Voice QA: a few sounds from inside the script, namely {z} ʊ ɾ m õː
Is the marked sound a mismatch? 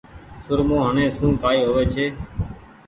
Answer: yes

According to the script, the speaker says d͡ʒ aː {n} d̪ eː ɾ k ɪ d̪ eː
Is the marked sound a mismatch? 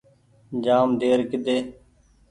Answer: yes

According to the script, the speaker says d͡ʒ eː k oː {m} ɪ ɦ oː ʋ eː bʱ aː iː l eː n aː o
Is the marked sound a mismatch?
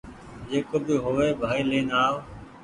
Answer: yes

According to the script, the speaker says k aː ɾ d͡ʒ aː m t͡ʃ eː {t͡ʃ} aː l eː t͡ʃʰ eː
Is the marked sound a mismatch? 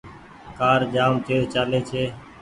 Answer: no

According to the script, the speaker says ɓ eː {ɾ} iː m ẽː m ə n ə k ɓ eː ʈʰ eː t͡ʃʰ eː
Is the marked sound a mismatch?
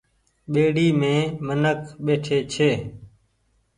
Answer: yes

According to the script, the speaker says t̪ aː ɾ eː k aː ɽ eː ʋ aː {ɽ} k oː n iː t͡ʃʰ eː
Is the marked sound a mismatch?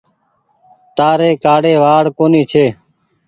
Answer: no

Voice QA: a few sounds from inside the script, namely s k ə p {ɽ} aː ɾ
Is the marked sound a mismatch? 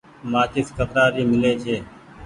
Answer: yes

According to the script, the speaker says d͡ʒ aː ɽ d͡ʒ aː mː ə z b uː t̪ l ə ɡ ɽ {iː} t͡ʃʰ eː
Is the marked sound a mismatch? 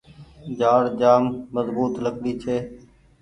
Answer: no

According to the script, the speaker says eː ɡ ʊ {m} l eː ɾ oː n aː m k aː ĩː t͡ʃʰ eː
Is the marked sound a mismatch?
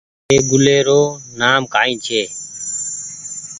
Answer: yes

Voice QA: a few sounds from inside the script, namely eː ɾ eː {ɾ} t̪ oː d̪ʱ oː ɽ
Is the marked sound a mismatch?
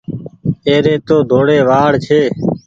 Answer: yes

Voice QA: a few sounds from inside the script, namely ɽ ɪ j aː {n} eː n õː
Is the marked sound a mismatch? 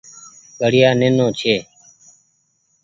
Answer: no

